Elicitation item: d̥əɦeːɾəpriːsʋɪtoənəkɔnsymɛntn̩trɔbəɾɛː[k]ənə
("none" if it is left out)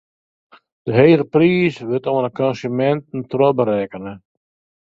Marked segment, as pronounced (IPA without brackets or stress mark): k